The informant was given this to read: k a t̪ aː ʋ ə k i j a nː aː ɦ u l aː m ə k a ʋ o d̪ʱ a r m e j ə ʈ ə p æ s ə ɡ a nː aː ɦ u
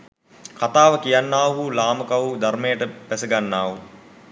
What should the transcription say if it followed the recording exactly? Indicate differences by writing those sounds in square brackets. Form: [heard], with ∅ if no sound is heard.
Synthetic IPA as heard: k a t̪ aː ʋ ə k i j a nː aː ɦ u l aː m ə k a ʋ [u] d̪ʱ a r m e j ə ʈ ə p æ s ə ɡ a nː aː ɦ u

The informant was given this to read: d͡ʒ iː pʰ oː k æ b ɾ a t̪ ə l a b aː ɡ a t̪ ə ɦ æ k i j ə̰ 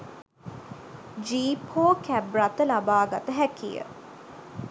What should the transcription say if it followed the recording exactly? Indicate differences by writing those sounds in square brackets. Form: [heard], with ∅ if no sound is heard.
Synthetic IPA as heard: d͡ʒ iː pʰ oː k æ b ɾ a t̪ ə l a b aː ɡ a t̪ ə ɦ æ k i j ə̰

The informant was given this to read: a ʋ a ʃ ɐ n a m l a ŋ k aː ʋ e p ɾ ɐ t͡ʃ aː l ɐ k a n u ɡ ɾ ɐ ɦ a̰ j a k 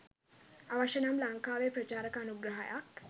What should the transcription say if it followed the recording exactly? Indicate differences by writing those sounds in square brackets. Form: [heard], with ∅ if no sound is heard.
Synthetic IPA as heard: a ʋ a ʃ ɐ n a m l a ŋ k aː ʋ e p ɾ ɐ t͡ʃ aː [ɾ] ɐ k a n u ɡ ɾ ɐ ɦ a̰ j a k

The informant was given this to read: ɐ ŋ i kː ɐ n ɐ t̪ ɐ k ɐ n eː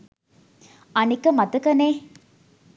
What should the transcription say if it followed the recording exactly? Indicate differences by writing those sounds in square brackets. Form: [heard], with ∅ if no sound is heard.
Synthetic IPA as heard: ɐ [n] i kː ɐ [m] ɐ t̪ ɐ k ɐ n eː

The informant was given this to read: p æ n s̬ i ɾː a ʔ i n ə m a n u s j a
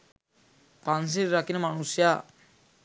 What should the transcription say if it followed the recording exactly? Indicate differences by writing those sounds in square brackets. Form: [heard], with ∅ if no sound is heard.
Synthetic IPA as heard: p [a] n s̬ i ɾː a [k] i n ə m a n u s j a

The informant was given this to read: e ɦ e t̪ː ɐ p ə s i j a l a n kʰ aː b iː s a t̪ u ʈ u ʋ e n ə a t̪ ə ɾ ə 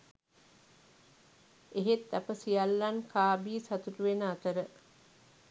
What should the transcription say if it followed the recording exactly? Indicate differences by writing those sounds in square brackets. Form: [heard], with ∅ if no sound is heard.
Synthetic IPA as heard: e ɦ e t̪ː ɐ p ə s i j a [lː] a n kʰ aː b iː s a t̪ u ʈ u ʋ e n ə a t̪ ə ɾ ə

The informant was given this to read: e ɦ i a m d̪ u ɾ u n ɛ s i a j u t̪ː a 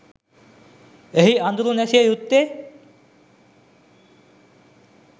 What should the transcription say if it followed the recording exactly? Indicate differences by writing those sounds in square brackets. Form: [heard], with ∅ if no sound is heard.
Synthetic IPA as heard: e ɦ i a [n] d̪ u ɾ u n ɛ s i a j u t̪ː [e]

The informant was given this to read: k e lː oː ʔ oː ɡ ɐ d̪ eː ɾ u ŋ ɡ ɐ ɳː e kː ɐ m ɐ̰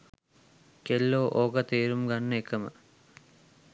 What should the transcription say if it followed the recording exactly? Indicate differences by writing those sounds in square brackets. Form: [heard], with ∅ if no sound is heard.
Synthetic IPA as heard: k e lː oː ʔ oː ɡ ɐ [t̪] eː ɾ u [m] ɡ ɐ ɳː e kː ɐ m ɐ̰

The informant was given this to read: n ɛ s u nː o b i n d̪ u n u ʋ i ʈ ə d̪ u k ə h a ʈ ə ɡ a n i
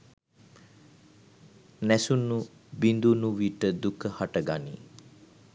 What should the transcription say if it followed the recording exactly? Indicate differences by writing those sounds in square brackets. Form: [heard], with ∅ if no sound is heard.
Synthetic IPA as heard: n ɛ s u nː [u] b i n d̪ u n u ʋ i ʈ ə d̪ u k ə h a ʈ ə ɡ a n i

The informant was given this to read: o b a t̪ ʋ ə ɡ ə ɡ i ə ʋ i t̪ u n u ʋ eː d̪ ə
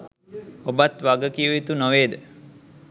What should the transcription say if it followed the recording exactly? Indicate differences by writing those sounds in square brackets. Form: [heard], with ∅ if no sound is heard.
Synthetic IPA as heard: o b a t̪ ʋ [a] ɡ ə [k] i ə ʋ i t̪ u n [o] ʋ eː d̪ ə

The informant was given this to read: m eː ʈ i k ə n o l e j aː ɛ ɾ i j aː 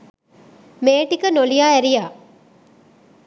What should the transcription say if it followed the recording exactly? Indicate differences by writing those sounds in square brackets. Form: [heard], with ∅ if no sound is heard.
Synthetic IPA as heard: m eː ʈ i k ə n o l [i] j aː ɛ ɾ i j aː

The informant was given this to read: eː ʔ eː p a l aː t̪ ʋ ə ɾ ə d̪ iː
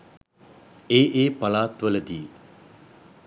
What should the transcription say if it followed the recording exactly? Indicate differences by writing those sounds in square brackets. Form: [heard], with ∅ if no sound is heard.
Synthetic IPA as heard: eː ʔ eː p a l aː t̪ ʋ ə [l] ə d̪ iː

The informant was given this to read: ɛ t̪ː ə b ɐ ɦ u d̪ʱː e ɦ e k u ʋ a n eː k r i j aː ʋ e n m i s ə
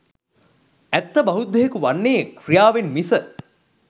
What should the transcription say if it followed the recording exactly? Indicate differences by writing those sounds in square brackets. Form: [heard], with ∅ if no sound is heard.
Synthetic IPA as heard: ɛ t̪ː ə b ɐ ɦ u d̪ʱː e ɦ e k u ʋ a [nː] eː k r i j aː ʋ e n m i s ə

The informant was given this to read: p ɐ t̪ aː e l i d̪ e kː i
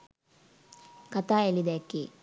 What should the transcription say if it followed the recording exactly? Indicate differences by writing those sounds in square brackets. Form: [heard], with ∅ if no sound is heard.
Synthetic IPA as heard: [k] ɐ t̪ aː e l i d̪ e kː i

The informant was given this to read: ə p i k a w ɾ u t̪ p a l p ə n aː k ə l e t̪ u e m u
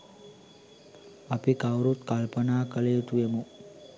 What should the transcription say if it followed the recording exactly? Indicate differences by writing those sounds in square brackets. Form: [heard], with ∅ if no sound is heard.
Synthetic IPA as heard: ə p i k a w ɾ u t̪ [k] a l p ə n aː k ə l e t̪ u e m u

